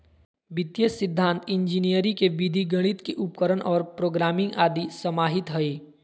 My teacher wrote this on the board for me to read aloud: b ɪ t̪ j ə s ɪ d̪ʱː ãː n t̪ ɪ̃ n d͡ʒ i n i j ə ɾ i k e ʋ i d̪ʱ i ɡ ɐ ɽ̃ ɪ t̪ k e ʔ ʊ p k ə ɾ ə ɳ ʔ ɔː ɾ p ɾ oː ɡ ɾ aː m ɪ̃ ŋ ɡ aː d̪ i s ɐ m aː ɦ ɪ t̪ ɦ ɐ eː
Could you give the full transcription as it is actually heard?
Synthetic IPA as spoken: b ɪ t̪ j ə s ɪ d̪ʱː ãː n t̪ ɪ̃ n d͡ʒ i n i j ə ɾ i k e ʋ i d̪ʱ i ɡ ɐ ɽ̃ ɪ t̪ k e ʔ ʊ p k ə ɾ ə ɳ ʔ ɔː ɾ p ɾ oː ɡ ɾ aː m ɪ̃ ŋ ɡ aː d̪ i s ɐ m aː ɦ ɪ t̪ ɦ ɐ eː